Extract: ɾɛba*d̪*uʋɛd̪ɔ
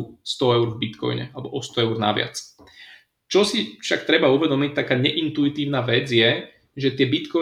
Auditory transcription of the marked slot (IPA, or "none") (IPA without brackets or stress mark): none